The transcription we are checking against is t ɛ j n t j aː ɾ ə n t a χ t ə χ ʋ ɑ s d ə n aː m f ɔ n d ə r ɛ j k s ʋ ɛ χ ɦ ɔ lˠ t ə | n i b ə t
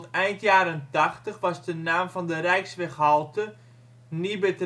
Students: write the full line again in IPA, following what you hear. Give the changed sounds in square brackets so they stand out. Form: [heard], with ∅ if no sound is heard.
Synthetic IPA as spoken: t ɛ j n t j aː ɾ ə n t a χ t ə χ ʋ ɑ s d ə n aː m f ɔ n d ə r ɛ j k s ʋ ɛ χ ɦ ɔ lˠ t ə | n i b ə t